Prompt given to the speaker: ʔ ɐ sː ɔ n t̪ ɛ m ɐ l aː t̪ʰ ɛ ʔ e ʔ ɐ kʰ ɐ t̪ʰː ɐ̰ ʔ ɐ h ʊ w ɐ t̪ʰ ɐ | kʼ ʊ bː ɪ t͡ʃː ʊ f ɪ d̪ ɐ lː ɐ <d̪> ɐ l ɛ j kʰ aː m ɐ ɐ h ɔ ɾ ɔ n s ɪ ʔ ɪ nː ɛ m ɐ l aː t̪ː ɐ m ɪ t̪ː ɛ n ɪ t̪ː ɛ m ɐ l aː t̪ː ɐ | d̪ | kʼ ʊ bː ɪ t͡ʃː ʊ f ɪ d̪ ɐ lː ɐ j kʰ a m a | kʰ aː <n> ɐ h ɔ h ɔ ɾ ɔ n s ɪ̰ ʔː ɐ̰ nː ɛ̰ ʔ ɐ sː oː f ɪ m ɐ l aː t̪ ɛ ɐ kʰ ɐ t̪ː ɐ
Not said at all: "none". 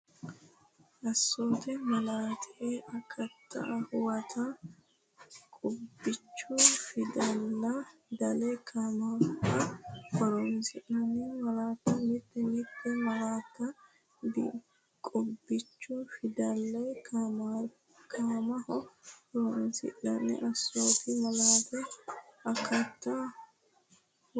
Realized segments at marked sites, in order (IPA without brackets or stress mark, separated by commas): d̪, m